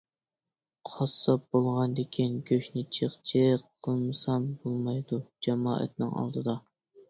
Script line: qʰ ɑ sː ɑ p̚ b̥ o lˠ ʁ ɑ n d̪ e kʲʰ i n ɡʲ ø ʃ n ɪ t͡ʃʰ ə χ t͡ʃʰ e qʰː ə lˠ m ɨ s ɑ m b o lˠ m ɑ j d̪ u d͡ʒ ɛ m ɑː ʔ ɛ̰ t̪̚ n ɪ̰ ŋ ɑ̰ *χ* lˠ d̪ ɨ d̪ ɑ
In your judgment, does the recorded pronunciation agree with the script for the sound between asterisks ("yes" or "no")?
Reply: no